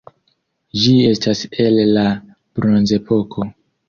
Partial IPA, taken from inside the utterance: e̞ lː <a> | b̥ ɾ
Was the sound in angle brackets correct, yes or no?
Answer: yes